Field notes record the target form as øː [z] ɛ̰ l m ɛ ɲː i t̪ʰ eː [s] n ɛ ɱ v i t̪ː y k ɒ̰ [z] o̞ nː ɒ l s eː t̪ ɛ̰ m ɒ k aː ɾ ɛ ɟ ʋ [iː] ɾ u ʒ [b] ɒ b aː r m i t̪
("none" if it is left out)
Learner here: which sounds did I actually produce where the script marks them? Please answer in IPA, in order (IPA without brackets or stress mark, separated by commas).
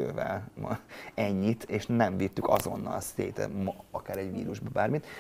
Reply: v, ʃ, z, iː, b